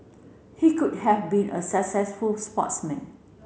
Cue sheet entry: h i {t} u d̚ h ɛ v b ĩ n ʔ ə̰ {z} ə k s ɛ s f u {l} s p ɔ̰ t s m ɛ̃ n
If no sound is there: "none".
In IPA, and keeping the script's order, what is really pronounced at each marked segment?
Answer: k, s, l

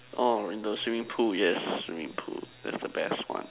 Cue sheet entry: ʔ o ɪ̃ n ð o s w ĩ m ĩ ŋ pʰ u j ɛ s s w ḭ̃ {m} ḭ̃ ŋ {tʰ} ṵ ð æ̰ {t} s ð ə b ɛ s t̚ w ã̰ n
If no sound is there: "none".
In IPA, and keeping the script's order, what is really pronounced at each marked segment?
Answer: m, pʰ, t

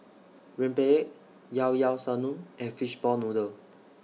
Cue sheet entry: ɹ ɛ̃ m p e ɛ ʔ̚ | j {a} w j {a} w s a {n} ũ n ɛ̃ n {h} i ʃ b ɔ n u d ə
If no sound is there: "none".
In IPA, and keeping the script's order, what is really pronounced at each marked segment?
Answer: a, a, n, f

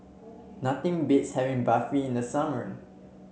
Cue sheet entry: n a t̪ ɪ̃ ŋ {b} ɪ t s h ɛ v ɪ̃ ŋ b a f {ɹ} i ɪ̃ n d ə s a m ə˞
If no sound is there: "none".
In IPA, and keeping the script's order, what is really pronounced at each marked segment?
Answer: b, ɹ

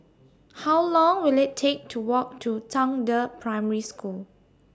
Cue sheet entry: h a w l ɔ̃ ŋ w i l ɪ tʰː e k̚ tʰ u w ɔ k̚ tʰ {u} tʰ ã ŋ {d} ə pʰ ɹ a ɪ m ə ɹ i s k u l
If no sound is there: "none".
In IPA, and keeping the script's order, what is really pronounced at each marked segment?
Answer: u, d

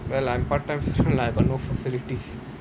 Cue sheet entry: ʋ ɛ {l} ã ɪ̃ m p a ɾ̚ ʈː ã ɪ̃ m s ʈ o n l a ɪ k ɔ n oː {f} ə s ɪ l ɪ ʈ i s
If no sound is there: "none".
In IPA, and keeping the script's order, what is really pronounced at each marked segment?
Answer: l, f

